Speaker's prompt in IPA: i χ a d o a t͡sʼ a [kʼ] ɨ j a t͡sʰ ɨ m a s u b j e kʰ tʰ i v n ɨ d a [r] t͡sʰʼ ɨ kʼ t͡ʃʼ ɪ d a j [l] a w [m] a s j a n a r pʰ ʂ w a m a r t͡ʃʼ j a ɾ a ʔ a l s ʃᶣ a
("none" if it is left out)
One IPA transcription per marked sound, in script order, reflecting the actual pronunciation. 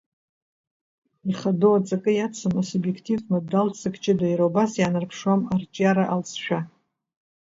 kʼ, l, ɾ, b

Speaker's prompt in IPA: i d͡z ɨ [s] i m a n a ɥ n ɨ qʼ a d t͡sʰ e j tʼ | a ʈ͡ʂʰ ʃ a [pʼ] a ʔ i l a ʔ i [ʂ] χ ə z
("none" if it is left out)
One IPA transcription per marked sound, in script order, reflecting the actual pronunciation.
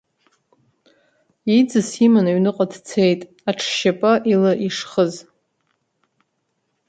s, pʼ, ʂ

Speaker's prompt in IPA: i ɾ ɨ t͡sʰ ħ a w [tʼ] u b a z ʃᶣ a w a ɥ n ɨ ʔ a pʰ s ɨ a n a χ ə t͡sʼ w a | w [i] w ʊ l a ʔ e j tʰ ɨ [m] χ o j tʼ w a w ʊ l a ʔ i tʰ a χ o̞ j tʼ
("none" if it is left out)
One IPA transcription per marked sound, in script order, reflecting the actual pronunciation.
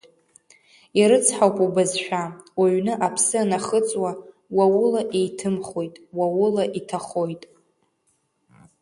pʼ, a, m

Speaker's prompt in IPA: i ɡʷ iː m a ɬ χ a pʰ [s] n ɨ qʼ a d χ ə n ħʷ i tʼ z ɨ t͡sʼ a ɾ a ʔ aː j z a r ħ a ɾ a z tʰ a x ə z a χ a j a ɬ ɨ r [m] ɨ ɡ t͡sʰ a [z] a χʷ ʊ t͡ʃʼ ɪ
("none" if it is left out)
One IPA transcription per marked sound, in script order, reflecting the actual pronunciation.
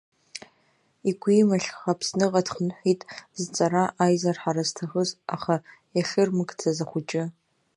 s, m, z

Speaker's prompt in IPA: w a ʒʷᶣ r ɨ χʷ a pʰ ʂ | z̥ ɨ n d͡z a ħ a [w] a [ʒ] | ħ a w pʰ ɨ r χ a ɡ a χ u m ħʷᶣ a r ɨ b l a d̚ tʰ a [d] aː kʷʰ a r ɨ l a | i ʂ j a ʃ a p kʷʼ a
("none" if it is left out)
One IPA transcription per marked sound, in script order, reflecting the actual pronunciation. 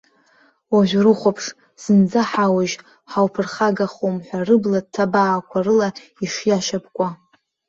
w, ʒ, b

